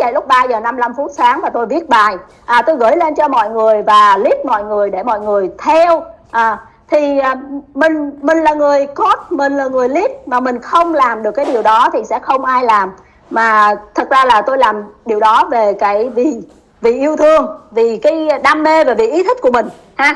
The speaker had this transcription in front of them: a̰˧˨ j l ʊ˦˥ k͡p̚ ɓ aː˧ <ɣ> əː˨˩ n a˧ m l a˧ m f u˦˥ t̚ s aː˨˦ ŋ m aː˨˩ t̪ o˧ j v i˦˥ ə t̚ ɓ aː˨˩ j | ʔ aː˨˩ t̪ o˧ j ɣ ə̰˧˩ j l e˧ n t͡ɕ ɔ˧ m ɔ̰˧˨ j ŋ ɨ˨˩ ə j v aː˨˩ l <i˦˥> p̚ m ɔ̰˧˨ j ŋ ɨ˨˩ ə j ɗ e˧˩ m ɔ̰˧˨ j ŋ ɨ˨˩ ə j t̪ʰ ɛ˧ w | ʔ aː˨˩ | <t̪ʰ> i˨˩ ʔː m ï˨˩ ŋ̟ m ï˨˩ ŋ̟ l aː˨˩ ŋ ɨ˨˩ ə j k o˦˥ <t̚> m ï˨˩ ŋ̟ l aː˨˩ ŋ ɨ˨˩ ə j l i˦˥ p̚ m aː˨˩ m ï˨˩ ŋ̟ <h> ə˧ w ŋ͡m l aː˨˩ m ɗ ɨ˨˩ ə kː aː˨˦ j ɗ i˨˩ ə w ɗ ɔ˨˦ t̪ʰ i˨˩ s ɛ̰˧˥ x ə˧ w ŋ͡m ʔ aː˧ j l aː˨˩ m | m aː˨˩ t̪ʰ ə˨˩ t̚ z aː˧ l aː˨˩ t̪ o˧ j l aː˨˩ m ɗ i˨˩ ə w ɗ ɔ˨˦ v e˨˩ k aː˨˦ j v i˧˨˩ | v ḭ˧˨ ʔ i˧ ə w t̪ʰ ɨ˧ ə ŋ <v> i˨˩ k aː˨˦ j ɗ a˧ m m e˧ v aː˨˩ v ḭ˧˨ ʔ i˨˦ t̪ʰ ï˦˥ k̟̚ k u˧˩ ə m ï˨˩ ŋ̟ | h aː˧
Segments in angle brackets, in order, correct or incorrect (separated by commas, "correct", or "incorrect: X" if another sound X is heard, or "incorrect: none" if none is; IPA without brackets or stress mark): incorrect: z, correct, correct, correct, incorrect: x, correct